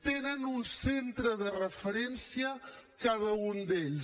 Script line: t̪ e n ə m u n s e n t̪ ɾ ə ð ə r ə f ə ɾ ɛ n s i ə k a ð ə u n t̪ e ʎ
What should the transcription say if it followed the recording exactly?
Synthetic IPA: t̪ e n ə n u n s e n t̪ ɾ ə ð ə r ə f ə ɾ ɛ n s i ə k a ð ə u n d̪ e ʎ